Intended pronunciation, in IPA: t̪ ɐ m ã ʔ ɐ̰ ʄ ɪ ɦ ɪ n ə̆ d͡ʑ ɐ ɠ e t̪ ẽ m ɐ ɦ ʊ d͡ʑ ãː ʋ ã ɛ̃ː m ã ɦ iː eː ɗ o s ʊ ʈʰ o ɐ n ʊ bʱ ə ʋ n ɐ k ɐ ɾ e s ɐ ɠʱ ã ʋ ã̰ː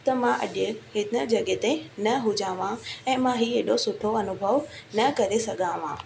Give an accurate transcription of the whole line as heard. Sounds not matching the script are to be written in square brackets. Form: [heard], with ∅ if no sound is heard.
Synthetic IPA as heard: t̪ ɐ m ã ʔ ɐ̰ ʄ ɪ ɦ ɪ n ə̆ d͡ʑ ɐ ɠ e t̪ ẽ [n] ɐ ɦ ʊ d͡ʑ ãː ʋ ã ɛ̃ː m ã ɦ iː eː ɗ o s ʊ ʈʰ o ɐ n ʊ bʱ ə ʋ n ɐ k ɐ ɾ e s ɐ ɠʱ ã ʋ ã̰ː